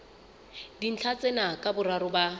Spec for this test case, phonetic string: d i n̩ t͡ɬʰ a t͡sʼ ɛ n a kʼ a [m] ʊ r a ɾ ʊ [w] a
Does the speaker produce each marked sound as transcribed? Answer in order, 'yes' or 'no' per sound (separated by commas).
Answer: no, no